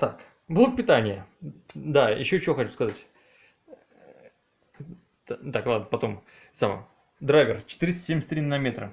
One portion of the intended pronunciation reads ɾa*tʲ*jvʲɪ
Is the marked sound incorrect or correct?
incorrect: none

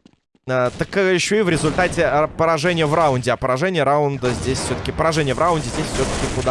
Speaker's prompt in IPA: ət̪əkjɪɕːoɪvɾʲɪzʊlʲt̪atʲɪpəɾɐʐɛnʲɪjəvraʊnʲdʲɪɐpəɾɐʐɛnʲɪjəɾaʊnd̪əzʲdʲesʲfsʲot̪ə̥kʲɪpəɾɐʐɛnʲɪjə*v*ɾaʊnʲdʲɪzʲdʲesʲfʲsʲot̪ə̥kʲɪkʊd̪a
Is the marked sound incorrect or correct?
correct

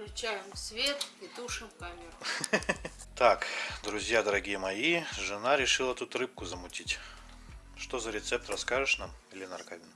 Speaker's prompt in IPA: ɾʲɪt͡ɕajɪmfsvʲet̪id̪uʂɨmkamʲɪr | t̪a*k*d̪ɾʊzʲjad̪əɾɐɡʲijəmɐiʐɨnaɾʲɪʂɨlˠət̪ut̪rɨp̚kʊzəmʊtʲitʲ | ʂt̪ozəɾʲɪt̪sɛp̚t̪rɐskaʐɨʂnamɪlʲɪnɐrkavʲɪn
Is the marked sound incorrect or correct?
correct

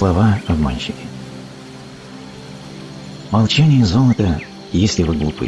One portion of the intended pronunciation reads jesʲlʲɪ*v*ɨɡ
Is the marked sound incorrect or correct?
correct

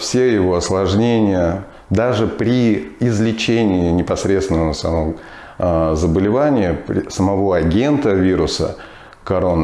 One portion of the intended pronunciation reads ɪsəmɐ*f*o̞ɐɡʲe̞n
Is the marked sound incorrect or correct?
incorrect: v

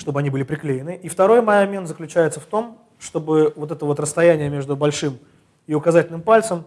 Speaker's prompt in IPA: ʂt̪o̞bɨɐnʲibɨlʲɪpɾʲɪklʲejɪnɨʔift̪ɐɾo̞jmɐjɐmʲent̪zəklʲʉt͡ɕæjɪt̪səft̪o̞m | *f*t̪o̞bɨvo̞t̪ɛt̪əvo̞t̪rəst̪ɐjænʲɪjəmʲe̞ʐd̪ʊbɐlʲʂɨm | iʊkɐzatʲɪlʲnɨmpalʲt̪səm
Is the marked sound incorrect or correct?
incorrect: ʂ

